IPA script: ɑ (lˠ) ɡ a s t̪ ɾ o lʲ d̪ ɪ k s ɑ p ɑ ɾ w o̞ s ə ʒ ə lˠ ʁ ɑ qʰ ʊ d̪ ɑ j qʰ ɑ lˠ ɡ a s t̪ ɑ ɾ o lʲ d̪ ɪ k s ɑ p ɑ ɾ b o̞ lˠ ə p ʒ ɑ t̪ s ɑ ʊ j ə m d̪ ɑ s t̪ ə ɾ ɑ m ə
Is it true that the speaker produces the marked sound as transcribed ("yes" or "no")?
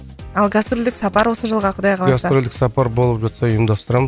yes